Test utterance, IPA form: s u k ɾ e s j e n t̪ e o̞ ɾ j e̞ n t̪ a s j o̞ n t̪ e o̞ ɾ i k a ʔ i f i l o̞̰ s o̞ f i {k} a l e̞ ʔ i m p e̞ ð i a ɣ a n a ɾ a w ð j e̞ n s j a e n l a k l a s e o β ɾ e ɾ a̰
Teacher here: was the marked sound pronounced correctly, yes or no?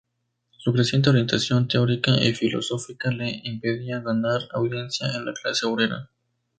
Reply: yes